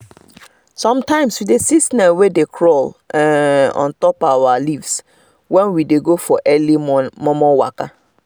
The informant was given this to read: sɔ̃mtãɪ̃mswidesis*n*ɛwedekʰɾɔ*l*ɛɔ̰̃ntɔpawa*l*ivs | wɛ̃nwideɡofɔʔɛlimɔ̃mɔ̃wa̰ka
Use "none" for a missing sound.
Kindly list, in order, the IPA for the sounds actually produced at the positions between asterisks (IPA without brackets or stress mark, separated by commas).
n, l, l